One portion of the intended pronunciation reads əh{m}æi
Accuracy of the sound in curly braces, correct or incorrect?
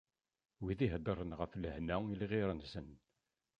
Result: incorrect